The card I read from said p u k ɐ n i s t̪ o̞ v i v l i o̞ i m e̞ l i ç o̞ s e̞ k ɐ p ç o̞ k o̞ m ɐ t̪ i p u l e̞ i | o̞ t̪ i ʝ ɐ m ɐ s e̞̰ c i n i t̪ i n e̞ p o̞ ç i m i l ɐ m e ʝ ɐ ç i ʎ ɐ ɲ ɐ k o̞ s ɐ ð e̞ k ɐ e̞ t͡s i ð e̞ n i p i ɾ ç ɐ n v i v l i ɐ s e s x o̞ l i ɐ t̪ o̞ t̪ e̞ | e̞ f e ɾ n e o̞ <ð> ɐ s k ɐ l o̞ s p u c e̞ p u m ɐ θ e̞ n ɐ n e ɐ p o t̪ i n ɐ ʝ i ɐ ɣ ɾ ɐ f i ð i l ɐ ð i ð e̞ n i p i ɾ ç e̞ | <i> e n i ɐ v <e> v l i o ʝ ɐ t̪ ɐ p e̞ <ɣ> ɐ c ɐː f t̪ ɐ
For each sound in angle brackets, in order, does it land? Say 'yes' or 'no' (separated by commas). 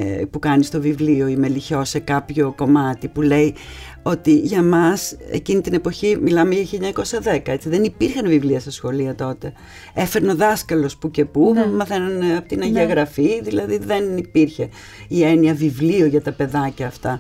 yes, yes, no, no